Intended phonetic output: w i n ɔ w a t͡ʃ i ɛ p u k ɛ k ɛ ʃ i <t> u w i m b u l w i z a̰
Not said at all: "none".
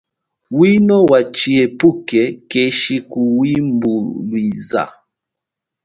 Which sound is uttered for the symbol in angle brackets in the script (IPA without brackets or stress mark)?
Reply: k